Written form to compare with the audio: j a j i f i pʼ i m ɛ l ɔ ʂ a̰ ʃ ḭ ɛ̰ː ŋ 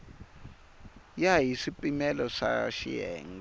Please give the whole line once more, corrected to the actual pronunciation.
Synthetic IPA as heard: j a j i s i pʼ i m ɛ l ɔ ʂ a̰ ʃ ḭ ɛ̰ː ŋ